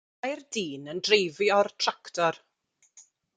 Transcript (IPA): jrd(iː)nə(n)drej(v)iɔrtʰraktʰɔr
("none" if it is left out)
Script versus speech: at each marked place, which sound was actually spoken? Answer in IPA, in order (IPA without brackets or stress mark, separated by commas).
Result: iː, n, v